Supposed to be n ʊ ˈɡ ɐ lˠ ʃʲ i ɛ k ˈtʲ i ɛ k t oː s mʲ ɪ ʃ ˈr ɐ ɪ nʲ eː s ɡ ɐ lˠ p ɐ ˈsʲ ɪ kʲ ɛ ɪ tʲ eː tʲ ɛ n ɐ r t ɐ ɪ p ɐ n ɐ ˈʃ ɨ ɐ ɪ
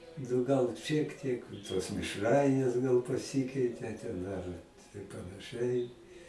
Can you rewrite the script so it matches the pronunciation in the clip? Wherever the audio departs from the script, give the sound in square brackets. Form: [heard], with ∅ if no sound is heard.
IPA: n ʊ ˈɡ ɐ lˠ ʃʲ i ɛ k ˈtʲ i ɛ k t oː s mʲ ɪ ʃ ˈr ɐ ɪ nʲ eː s ɡ ɐ lˠ p ɐ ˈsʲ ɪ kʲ ɛ ɪ tʲ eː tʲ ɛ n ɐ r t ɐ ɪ p ɐ n ɐ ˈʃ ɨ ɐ ɪ